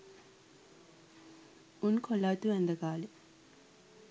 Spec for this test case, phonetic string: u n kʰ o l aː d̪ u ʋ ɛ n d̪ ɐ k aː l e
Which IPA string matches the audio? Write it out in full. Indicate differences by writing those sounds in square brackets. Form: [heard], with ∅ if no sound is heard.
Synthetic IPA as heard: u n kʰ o l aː [t̪] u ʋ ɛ n d̪ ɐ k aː l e